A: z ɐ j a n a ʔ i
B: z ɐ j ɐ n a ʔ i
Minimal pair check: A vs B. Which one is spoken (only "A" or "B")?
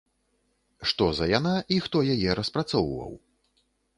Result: A